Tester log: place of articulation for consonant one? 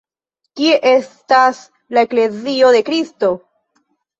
velar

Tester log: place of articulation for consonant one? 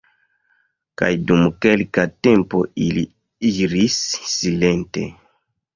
velar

